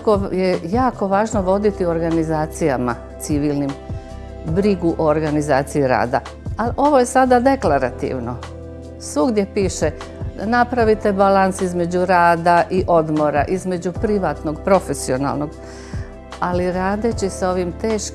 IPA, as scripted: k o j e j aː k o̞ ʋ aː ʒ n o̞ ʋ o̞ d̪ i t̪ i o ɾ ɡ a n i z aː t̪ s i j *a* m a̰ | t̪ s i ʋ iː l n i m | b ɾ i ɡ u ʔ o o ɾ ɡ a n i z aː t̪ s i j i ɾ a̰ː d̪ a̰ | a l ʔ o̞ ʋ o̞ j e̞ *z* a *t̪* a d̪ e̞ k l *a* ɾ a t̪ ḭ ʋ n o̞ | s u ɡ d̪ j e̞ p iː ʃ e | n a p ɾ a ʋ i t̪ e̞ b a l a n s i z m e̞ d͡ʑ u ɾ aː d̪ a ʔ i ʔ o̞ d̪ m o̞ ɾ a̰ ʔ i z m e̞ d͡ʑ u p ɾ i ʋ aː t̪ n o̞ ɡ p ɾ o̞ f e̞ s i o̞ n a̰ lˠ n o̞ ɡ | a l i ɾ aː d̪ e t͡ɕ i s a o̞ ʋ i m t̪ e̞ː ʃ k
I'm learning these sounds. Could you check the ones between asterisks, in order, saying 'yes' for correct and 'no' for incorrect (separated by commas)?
yes, no, no, yes